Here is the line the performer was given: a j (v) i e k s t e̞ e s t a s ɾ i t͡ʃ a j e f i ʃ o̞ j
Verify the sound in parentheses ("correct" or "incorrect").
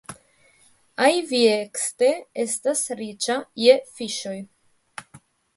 correct